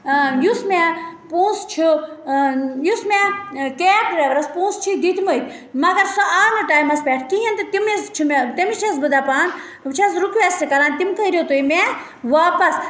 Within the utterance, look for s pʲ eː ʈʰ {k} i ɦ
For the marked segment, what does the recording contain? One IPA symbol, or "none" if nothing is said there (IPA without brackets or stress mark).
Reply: k